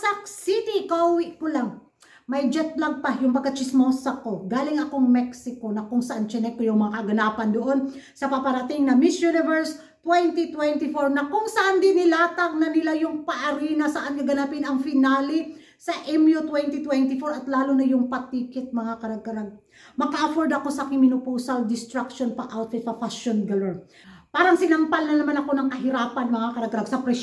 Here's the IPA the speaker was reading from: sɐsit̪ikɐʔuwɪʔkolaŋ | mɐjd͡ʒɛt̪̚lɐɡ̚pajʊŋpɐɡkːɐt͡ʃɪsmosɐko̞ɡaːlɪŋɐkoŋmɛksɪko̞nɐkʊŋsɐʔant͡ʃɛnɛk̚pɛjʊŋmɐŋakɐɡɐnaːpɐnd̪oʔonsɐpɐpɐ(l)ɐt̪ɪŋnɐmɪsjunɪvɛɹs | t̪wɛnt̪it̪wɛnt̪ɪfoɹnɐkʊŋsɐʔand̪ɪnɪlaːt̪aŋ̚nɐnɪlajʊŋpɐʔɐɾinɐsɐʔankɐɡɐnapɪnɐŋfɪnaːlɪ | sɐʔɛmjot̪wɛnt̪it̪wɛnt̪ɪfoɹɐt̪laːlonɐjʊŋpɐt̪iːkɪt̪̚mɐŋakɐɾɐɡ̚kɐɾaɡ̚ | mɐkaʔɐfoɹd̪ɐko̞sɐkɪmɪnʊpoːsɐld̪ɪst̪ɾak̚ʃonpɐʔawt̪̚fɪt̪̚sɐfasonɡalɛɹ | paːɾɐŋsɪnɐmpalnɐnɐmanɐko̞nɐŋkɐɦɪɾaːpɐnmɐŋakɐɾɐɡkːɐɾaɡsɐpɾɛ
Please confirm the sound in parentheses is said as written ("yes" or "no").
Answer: no